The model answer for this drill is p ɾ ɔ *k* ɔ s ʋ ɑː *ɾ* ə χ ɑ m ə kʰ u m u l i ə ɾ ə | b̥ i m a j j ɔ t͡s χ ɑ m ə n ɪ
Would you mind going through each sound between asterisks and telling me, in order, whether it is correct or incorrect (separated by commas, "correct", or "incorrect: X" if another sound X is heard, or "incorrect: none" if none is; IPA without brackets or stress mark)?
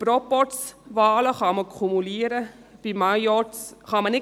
incorrect: p, incorrect: l